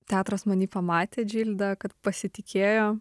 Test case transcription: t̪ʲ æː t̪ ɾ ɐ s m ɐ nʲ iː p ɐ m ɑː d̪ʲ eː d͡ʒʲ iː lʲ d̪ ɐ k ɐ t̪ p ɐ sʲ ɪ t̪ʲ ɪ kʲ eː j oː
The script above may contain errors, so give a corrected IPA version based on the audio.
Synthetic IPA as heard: t̪ʲ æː t̪ ɾ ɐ s m ɐ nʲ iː p ɐ m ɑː t̪ʲ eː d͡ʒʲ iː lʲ d̪ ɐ k ɐ t̪ p ɐ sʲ ɪ t̪ʲ ɪ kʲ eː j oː